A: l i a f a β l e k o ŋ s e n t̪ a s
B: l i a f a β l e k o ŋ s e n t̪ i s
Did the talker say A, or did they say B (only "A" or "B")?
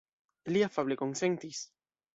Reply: B